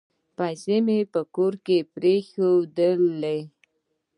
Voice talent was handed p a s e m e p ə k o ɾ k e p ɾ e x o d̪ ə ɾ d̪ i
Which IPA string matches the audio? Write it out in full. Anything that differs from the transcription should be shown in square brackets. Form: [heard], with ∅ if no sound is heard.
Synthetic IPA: p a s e m e p ə k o ɾ k e p ɾ e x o d̪ ə [l] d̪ [e]